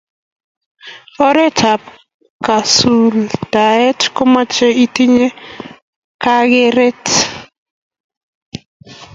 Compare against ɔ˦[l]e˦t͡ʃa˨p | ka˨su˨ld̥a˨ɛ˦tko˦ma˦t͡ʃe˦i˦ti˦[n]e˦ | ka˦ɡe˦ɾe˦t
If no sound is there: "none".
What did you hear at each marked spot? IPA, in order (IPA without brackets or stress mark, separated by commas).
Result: ɾ, ɲ